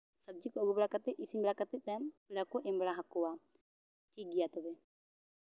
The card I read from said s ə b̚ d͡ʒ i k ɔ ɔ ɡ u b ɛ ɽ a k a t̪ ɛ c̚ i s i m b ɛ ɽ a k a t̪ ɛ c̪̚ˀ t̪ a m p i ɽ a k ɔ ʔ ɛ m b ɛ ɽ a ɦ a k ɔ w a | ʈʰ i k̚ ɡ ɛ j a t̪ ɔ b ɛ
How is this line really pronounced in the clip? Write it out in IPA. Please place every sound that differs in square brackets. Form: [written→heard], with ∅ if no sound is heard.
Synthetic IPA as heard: s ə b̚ d͡ʒ i k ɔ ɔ ɡ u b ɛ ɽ a k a t̪ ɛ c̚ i s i [m→ɲ] b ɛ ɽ a k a t̪ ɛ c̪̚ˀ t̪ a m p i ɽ a k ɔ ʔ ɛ m b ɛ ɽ a ɦ a k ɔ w a | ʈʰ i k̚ ɡ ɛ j a t̪ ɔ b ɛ